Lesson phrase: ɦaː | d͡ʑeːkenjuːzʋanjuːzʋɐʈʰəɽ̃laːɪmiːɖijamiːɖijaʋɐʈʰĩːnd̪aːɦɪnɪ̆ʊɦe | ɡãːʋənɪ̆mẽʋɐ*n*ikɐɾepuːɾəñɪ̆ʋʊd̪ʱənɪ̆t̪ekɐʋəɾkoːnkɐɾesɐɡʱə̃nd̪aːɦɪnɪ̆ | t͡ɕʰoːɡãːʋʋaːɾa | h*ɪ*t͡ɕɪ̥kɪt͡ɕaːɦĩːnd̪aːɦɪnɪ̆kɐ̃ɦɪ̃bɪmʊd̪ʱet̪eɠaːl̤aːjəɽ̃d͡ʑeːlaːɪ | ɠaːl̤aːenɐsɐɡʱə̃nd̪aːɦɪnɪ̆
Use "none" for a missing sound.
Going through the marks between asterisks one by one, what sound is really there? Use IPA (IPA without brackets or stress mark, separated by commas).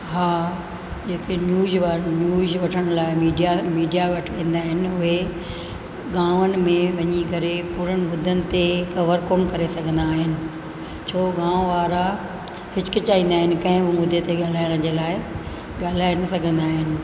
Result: ɲ, ɪ